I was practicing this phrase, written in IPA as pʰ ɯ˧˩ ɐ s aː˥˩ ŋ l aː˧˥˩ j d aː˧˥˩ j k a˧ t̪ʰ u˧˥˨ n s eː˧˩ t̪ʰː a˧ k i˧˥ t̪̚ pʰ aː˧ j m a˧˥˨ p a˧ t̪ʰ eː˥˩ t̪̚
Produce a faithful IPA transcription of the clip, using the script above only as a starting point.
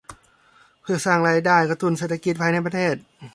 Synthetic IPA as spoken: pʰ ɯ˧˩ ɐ s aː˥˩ ŋ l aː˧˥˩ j d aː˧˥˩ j k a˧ t̪ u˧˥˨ n s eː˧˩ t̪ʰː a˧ k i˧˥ t̪̚ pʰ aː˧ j n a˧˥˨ p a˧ t̪ʰ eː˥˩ t̪̚